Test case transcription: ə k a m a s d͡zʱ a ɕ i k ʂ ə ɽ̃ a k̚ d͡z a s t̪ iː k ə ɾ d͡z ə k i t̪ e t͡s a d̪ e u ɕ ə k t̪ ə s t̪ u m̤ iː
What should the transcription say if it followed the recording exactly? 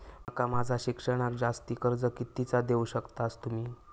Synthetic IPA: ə k a m a d͡zʱ a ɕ i k ʂ ə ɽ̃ a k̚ d͡z a s t̪ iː k ə ɾ d͡z ə k i t̪ i t͡s a d̪ e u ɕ ə k t̪ a s t̪ u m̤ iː